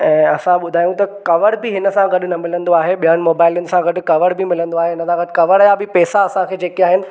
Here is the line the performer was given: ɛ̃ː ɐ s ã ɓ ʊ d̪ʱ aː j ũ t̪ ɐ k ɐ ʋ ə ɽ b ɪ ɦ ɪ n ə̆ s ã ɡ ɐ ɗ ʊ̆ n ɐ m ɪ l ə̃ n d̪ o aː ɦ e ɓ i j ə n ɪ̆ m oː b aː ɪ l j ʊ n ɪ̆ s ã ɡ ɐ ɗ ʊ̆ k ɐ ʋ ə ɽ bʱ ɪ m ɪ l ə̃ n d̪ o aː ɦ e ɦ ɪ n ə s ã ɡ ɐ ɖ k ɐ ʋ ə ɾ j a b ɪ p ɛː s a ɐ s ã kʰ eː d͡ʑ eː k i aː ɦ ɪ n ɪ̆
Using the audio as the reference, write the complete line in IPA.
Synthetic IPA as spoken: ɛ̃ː ɐ s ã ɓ ʊ d̪ʱ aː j ũ t̪ ɐ k ɐ ʋ ə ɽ b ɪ ɦ ɪ n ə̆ s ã ɡ ɐ ɗ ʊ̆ n ɐ m ɪ l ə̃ n d̪ o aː ɦ e ɓ i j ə n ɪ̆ m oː b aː ɪ l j ʊ n ɪ̆ s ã ɡ ɐ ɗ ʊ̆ k ɐ ʋ ə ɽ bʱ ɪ m ɪ l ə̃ n d̪ o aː ɦ e ɦ ɪ n ə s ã ɡ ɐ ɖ k ɐ ʋ ə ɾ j a b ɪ p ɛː s a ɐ s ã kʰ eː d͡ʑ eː k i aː ɦ ɪ n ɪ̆